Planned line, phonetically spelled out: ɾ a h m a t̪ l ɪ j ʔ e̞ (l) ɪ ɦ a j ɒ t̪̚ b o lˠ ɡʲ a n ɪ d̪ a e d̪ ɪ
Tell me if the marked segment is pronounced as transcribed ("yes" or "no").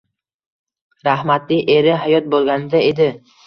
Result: no